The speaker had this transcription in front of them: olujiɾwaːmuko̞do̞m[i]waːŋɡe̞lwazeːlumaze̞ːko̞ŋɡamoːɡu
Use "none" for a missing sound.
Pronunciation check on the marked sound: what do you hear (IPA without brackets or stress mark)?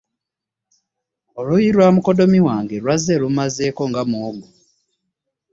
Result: i